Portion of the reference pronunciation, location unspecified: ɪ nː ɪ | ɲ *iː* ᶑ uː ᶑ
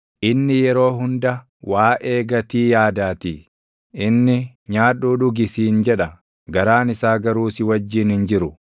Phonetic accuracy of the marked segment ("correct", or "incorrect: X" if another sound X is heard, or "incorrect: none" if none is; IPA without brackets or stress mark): incorrect: aː